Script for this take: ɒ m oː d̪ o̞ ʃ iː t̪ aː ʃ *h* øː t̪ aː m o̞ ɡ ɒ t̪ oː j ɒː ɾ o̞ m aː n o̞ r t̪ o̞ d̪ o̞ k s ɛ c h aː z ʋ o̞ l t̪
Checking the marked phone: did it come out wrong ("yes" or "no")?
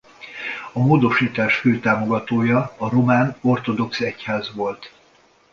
yes